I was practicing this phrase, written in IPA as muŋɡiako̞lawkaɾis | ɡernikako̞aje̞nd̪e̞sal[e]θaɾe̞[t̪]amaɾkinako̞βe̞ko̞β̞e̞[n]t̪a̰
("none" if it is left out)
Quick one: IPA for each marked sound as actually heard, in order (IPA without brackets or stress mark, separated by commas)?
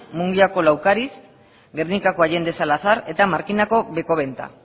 a, t̪, n